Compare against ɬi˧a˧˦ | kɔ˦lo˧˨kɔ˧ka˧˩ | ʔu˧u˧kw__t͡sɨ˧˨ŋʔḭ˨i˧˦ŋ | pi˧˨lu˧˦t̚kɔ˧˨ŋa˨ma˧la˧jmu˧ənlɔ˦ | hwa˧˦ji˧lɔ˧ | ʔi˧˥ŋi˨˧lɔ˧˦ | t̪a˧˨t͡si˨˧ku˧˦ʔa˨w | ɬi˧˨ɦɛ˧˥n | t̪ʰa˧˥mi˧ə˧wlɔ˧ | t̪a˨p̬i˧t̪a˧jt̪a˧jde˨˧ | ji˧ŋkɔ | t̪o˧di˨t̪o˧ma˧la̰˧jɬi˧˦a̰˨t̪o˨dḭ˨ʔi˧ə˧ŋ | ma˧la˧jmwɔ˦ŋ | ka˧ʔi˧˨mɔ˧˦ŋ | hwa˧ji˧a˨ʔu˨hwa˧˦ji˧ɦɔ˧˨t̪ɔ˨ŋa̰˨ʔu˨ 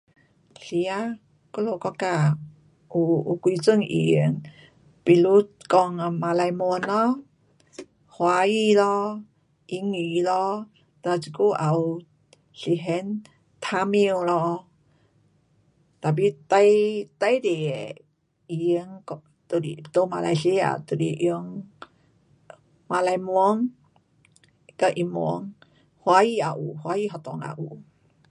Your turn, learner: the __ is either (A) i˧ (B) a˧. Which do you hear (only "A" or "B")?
A